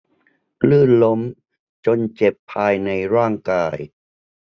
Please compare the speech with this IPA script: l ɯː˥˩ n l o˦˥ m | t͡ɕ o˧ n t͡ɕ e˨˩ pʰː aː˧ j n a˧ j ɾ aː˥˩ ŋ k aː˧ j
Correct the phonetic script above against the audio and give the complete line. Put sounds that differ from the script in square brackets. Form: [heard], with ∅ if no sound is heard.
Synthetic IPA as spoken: l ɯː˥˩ n l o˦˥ m | t͡ɕ o˧ n t͡ɕ e˨˩ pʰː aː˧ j n a˧ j ɾ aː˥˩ ŋ k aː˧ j